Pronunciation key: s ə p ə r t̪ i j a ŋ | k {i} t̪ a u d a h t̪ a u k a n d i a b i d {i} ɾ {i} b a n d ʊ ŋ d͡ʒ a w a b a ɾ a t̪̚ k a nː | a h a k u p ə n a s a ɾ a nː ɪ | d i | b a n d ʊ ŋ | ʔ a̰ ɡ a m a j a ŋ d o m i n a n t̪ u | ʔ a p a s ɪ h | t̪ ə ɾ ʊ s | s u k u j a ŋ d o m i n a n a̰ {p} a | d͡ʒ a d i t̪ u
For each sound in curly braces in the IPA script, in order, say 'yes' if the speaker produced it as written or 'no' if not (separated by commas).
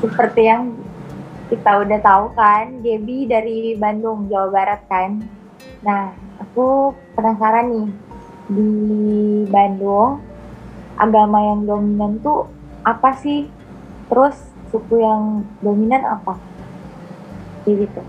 yes, no, yes, yes